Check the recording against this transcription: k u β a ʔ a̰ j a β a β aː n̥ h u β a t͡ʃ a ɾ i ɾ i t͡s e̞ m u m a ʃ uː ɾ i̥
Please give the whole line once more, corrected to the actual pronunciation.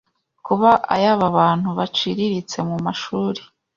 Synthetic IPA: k u β a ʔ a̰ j a β a β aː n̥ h u β a t͡ʃ i ɾ i ɾ i t͡s e̞ m u m a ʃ uː ɾ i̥